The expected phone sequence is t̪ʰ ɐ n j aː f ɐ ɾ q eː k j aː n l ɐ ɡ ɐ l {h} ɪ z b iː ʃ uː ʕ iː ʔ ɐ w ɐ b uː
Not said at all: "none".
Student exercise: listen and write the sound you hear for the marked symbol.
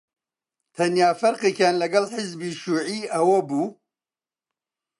ħ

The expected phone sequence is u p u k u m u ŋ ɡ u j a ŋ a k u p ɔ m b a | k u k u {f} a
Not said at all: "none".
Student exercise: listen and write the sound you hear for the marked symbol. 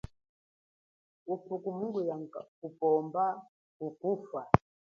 f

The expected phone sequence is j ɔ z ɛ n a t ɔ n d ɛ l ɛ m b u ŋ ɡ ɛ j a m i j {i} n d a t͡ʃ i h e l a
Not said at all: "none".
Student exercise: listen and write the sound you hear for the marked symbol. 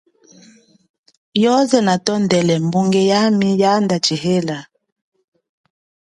a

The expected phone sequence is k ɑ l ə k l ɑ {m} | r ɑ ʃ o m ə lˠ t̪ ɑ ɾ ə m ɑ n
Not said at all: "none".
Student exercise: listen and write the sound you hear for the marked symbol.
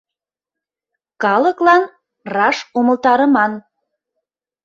n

